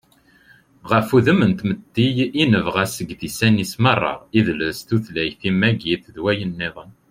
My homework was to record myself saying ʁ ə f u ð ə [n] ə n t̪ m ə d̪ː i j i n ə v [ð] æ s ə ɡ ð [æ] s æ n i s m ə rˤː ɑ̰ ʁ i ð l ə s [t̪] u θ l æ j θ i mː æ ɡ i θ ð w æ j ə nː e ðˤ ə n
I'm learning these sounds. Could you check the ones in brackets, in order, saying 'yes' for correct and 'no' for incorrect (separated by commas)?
no, no, no, yes